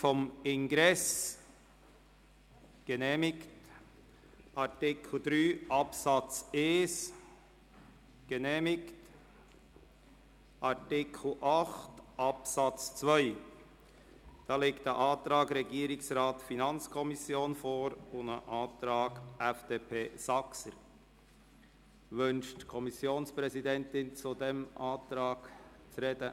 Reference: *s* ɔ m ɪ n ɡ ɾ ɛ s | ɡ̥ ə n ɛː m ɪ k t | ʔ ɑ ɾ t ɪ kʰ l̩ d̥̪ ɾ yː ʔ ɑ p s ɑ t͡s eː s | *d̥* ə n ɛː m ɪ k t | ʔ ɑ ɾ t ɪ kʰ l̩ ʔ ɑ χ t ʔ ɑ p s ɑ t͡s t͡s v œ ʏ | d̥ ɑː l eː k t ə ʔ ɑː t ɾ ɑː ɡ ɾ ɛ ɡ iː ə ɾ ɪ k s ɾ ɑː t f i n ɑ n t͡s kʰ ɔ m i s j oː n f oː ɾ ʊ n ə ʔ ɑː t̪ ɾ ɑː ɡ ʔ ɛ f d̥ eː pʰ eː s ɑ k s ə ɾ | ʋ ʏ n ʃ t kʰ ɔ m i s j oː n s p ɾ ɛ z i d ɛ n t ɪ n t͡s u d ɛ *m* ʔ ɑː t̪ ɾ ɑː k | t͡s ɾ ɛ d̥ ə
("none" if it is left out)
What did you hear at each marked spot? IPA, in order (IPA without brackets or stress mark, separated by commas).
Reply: f, ɡ̥, m